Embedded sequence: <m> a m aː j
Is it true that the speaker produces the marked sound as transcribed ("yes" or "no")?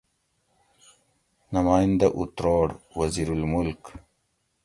no